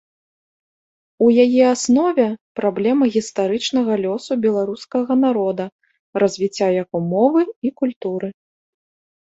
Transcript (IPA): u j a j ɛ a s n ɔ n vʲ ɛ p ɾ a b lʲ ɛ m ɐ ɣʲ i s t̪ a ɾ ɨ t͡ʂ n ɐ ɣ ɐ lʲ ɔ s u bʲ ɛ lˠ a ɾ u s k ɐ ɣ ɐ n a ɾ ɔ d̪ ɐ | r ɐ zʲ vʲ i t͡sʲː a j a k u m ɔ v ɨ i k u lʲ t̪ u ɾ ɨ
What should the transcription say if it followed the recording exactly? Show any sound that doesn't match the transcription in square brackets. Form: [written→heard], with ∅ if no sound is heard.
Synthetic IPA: u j a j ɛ a s n ɔ [n→∅] vʲ ɛ p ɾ a b lʲ ɛ m ɐ ɣʲ i s t̪ a ɾ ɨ t͡ʂ n ɐ ɣ ɐ lʲ ɔ s u bʲ ɛ lˠ a ɾ u s k ɐ ɣ ɐ n a ɾ ɔ d̪ ɐ | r ɐ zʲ vʲ i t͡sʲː a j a k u m ɔ v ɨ i k u lʲ t̪ u ɾ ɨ